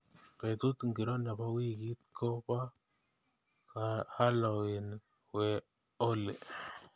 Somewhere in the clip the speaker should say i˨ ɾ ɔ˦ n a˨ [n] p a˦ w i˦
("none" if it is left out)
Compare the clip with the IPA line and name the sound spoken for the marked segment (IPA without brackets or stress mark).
none